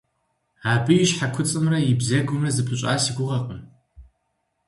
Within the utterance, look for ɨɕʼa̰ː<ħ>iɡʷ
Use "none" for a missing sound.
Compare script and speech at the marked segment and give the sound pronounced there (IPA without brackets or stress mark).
s